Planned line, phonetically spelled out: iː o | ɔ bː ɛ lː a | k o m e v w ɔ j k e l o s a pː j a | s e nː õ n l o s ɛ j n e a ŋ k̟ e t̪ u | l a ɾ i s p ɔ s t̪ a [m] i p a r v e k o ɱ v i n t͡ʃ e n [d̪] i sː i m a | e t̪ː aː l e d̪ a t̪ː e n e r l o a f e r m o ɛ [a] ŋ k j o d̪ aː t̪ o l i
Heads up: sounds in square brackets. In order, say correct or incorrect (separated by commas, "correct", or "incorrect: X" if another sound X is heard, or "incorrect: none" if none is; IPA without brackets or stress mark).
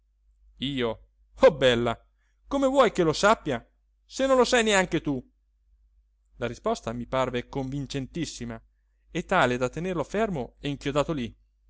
correct, incorrect: t̪, incorrect: i